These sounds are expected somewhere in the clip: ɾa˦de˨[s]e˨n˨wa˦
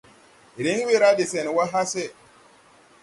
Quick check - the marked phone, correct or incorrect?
correct